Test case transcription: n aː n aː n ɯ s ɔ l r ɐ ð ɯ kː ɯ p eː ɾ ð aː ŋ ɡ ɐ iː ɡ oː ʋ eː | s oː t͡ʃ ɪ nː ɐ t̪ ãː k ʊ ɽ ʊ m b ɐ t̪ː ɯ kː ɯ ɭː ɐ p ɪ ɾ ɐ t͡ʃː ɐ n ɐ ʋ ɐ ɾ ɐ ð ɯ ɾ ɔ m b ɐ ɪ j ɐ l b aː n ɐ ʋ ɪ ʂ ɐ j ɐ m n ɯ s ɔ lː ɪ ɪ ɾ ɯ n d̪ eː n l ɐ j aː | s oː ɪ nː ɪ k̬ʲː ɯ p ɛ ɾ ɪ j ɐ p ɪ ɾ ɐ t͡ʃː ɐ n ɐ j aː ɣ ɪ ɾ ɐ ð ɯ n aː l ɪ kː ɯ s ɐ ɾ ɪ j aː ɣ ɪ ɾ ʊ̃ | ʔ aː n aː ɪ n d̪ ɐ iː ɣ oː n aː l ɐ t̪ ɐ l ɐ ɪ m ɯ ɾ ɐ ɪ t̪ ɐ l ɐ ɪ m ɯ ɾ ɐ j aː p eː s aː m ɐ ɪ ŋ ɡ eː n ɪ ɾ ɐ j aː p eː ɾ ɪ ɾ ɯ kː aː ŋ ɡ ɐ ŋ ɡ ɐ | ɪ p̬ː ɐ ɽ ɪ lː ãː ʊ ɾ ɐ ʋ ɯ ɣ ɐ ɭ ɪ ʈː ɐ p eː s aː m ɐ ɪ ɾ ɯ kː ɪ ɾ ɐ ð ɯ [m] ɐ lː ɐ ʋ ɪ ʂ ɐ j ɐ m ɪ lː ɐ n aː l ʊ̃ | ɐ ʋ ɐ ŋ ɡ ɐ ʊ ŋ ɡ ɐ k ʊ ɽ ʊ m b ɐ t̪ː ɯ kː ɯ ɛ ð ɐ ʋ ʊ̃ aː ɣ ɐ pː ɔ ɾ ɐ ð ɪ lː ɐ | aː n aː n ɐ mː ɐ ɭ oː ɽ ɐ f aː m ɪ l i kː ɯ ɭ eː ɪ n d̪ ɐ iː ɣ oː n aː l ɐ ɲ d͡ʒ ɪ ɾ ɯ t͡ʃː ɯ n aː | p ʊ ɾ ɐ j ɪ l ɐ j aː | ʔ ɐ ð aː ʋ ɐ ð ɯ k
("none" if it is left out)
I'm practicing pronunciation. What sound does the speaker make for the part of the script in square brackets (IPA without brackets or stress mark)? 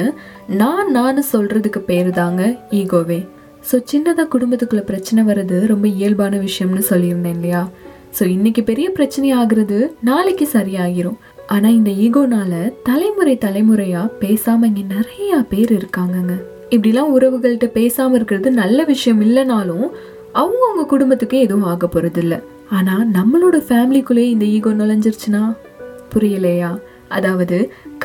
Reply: n